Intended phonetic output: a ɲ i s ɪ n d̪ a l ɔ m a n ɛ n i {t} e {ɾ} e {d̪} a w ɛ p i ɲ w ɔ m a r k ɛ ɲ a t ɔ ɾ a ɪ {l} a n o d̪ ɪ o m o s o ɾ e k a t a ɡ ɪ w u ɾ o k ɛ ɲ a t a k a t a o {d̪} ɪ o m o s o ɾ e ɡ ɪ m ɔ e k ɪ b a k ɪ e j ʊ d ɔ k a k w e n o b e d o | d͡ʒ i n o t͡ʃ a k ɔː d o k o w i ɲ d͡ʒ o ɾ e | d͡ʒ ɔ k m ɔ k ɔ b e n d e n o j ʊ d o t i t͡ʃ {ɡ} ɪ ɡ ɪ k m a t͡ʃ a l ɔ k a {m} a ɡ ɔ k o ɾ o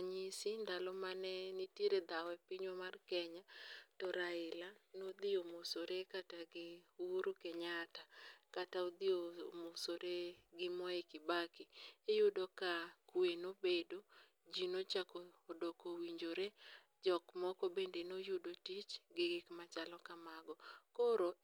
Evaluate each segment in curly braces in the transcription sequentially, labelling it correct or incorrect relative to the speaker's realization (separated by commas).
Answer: correct, correct, correct, correct, correct, correct, correct